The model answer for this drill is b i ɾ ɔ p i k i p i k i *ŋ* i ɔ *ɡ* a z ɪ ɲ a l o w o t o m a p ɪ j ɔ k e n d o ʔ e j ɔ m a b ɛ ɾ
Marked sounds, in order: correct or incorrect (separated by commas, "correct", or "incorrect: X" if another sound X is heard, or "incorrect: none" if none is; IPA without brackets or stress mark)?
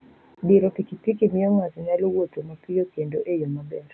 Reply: incorrect: m, incorrect: ŋ